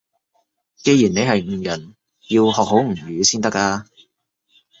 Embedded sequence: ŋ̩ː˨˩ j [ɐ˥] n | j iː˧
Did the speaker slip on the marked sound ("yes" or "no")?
yes